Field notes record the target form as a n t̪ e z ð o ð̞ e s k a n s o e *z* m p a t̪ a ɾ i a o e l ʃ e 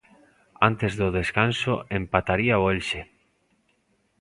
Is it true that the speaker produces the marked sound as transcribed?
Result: no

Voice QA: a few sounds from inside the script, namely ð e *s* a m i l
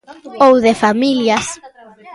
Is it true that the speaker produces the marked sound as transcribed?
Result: no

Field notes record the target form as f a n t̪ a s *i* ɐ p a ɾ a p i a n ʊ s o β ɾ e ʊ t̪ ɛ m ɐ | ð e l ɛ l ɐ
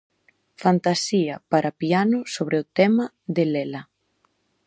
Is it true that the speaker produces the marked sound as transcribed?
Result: yes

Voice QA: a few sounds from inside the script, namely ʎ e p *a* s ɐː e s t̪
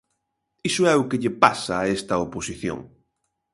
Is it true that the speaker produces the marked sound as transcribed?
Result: yes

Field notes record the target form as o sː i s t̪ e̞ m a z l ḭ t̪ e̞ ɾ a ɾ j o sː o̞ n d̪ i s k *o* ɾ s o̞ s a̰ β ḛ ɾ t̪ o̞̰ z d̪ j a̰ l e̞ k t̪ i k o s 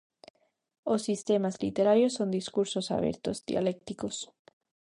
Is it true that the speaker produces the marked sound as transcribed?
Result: no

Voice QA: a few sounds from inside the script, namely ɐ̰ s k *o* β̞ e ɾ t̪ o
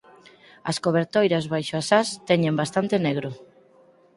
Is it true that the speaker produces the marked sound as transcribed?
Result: yes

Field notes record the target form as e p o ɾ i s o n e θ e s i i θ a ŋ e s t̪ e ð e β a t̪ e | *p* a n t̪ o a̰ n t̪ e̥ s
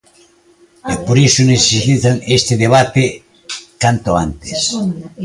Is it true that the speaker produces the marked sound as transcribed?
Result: no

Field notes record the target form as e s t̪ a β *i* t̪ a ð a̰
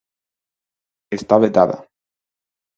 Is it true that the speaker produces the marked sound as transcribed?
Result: no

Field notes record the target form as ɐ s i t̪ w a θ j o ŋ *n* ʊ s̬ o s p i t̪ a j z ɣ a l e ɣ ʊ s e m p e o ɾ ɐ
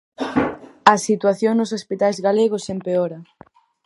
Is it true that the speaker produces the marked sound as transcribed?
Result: yes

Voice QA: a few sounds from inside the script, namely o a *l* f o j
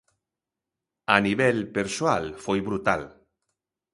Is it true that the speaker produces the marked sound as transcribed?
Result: yes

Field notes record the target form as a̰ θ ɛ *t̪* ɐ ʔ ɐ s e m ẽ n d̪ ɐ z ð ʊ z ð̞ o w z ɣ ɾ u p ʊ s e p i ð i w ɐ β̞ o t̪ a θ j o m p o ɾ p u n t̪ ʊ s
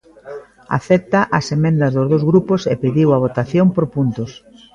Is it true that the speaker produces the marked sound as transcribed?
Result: yes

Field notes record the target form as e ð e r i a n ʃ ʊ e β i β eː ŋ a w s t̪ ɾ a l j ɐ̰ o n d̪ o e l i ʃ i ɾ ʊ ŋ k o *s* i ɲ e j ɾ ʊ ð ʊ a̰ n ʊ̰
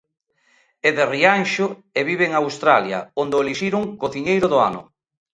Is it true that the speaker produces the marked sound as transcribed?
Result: no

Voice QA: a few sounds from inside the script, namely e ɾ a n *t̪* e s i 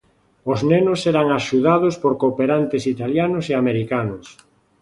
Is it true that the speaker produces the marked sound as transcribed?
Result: yes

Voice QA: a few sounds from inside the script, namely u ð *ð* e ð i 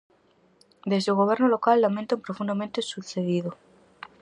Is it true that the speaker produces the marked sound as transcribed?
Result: no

